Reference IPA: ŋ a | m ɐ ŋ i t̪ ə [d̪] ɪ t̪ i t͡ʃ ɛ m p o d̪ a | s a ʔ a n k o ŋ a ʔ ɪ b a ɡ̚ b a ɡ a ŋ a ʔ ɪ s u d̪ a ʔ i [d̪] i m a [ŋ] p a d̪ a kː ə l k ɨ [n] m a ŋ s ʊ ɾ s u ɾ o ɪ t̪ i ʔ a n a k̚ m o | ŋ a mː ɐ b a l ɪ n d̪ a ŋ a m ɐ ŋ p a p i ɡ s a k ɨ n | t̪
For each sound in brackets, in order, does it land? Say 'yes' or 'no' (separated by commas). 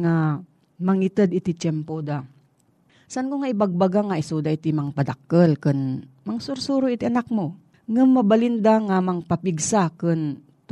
yes, no, yes, yes